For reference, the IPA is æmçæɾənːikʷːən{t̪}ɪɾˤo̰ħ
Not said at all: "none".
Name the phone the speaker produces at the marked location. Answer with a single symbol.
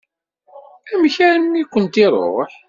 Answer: t̪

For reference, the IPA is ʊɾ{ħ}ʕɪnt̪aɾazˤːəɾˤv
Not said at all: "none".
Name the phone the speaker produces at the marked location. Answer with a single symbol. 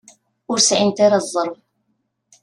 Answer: s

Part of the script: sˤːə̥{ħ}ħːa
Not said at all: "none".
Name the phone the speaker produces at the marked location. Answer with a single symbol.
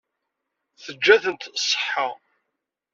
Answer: ħ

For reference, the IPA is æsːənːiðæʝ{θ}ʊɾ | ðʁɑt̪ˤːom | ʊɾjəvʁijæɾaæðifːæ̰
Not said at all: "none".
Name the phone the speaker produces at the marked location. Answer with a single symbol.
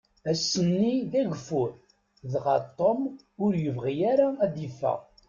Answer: f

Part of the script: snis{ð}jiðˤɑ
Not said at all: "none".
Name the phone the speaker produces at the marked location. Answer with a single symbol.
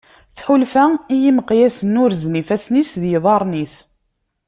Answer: ð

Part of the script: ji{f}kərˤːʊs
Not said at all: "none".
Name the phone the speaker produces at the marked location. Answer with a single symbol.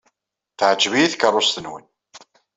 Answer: θ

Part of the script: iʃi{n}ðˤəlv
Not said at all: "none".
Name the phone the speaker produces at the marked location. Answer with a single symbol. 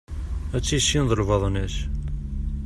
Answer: n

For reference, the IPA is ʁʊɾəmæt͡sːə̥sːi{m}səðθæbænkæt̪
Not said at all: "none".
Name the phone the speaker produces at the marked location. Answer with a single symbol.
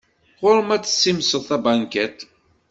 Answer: m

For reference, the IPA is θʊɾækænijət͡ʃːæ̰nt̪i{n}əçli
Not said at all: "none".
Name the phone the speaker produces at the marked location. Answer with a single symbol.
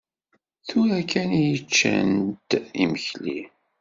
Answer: m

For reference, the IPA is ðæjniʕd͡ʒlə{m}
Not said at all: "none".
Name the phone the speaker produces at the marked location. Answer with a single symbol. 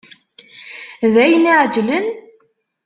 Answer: n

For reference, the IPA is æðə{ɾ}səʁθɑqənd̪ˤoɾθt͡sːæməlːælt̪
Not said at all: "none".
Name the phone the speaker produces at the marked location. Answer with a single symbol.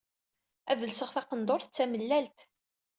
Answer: l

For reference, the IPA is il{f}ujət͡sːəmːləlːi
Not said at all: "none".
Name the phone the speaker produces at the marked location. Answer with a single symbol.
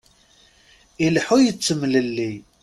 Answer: ħ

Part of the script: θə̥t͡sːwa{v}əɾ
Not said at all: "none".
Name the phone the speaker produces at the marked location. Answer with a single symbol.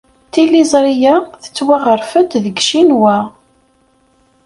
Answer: ʁ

